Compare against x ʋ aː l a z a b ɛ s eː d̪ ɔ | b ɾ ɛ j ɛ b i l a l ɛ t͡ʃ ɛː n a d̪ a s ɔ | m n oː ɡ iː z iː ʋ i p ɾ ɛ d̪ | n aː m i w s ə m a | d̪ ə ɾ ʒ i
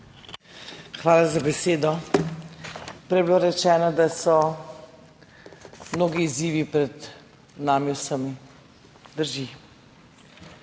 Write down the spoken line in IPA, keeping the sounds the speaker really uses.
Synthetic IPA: x ʋ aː l a z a b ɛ s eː d̪ ɔ | p ɾ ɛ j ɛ b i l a ɾ ɛ t͡ʃ ɛː n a d̪ a s ɔ | m n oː ɡ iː z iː ʋ i p ɾ ɛ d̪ | n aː m i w s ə m i | d̪ ə ɾ ʒ i